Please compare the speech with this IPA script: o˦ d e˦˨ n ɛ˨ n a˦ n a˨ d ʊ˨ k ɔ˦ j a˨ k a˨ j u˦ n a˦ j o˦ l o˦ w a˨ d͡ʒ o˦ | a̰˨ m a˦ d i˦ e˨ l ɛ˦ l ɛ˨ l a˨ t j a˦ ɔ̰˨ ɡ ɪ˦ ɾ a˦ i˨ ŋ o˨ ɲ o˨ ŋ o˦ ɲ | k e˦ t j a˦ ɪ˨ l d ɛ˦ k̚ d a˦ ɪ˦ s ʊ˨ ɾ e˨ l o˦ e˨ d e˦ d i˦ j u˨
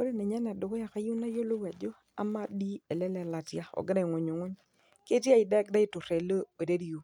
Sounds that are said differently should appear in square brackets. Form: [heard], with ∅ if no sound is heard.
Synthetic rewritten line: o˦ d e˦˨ n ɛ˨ [ɲ] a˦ n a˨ d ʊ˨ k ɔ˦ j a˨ k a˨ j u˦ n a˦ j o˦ l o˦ w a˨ d͡ʒ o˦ | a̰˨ m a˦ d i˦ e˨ l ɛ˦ l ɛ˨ l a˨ t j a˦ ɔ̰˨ ɡ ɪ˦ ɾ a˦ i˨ ŋ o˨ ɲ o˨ ŋ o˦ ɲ | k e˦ t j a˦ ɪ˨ [∅] d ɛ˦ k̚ d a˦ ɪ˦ [t] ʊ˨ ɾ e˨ l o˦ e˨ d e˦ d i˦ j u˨